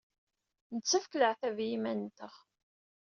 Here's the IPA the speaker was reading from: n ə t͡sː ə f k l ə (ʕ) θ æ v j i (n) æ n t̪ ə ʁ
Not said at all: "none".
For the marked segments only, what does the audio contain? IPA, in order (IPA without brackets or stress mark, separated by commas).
ʕ, m